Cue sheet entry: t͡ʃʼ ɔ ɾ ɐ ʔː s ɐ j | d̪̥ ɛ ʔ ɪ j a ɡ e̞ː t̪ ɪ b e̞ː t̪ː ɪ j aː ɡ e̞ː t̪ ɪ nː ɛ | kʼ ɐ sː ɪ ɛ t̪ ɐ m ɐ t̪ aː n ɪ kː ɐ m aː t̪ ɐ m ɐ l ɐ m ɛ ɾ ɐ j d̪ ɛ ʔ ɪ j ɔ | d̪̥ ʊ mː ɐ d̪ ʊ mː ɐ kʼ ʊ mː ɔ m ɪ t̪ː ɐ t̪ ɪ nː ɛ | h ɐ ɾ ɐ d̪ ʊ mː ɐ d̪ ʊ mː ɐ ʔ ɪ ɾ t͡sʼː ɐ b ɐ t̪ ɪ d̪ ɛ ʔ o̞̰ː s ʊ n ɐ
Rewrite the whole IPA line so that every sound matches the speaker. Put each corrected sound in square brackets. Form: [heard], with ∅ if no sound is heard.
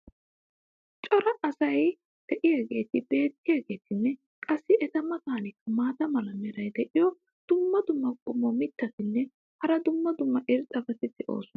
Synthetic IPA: t͡ʃʼ ɔ ɾ ɐ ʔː s ɐ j | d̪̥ ɛ ʔ ɪ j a ɡ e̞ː t̪ ɪ b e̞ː t̪ː ɪ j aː ɡ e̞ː t̪ ɪ nː ɛ | kʼ ɐ sː ɪ ɛ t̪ ɐ m ɐ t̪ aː n ɪ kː ɐ m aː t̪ ɐ m ɐ l ɐ m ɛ ɾ ɐ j d̪ ɛ ʔ ɪ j ɔ | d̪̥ ʊ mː ɐ d̪ ʊ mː ɐ kʼ ʊ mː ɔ m ɪ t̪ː ɐ t̪ ɪ nː ɛ | h ɐ ɾ ɐ d̪ ʊ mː ɐ d̪ ʊ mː ɐ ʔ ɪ ɾ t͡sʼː ɐ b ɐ t̪ ɪ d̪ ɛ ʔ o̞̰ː s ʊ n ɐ